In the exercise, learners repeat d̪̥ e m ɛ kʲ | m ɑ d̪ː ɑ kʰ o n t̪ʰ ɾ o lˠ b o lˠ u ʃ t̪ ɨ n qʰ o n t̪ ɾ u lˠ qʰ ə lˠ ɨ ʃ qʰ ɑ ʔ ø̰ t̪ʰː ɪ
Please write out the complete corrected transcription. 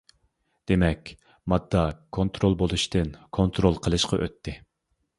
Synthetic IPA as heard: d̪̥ e m ɛ kʲ | m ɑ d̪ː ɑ kʰ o n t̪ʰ ɾ o lˠ b o lˠ u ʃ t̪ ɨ n kʰ o n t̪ ɾ o lˠ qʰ ə lˠ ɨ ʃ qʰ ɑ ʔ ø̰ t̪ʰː ɪ